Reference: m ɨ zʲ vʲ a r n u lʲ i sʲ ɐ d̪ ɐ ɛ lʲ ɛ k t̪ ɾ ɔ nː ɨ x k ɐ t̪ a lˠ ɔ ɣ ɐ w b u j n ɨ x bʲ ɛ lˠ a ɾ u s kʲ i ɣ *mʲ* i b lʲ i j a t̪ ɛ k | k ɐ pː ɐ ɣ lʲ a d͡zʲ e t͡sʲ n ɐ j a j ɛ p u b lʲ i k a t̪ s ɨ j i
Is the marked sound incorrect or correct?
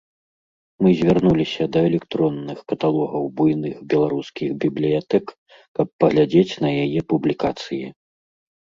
incorrect